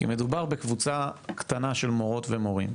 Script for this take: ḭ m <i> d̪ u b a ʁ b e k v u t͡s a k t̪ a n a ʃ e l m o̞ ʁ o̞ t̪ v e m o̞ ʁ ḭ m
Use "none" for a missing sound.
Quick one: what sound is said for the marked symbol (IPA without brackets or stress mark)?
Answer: e